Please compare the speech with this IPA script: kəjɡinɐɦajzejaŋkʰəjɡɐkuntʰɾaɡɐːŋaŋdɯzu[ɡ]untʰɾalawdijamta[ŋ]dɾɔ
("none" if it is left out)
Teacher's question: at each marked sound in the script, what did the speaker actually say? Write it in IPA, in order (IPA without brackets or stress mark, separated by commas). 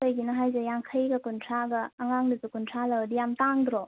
k, ŋ